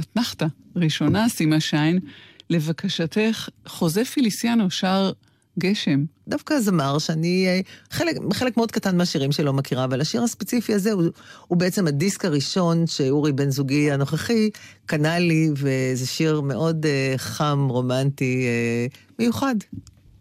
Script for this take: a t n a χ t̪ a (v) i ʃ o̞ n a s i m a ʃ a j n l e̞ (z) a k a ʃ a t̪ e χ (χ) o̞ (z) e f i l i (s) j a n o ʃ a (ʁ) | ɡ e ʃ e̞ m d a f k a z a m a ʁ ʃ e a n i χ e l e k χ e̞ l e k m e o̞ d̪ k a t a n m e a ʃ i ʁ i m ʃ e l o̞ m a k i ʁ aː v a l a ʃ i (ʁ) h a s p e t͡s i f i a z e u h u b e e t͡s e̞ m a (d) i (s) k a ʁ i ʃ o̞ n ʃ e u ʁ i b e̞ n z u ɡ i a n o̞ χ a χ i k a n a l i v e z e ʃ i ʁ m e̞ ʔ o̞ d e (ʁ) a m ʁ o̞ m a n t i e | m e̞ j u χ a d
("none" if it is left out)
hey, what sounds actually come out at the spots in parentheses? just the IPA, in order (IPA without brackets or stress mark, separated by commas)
ʁ, v, χ, z, s, ʁ, ʁ, d, s, χ